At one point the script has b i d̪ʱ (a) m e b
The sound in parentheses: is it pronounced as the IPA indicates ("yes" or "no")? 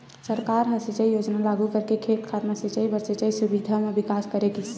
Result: yes